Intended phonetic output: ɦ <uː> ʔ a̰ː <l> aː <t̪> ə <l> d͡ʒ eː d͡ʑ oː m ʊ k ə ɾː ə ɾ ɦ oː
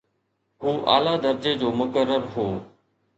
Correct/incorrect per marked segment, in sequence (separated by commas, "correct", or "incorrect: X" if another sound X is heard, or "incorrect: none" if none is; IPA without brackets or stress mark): correct, correct, incorrect: d̪, incorrect: ɾ